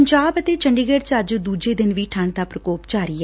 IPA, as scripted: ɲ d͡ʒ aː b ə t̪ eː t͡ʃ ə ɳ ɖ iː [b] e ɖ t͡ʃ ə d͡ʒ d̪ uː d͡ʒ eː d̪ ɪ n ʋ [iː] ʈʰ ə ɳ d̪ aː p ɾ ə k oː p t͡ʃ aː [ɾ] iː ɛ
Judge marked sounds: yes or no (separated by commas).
no, yes, yes